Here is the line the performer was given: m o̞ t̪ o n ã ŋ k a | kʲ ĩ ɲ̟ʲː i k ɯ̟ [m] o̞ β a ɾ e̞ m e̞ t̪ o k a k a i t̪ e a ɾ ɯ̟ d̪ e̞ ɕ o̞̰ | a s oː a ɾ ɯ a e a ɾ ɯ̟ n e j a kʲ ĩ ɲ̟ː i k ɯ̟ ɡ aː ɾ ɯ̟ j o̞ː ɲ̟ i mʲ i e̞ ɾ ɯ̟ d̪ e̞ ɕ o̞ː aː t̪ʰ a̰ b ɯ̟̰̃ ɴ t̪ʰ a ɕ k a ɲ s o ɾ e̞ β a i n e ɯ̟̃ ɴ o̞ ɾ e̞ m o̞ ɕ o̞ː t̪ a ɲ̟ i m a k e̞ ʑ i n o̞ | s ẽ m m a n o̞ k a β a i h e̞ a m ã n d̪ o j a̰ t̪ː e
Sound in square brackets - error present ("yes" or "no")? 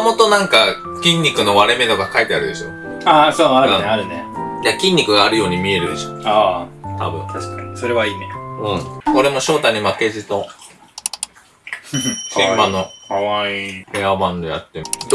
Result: yes